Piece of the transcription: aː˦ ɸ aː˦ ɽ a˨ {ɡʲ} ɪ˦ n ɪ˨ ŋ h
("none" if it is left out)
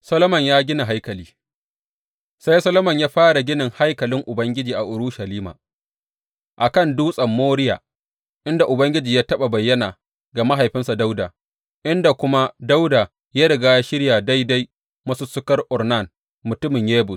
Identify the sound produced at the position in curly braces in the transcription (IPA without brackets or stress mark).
ɡʲ